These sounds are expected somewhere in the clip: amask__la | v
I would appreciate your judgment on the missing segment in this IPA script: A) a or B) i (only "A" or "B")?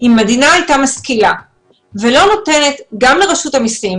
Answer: B